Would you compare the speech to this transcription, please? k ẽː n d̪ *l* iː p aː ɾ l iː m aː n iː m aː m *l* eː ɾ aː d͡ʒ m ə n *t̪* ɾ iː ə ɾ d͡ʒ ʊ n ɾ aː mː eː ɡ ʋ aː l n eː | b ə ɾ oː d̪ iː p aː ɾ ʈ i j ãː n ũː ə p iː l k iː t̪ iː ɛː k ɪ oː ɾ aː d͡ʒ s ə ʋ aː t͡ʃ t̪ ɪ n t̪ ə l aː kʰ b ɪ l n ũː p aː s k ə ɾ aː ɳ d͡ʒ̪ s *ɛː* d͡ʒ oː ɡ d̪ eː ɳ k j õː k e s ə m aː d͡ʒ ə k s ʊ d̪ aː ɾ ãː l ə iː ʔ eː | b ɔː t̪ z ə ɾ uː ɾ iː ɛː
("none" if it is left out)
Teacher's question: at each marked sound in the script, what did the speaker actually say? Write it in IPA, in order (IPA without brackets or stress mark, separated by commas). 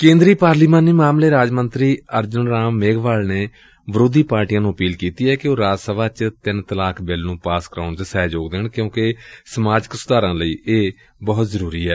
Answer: ɾ, l, t̪, ɛː